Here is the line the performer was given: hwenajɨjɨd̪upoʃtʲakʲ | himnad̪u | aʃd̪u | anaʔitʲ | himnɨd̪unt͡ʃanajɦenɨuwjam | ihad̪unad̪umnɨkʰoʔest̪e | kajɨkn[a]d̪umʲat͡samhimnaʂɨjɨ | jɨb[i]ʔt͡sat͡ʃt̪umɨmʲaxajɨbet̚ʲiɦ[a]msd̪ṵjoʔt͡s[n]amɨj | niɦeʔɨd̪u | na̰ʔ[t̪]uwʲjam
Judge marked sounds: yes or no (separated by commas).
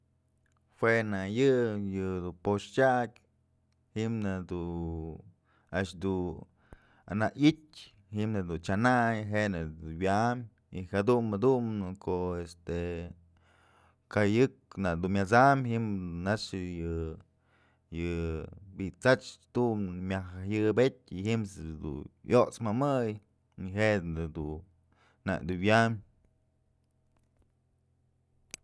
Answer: yes, yes, no, no, no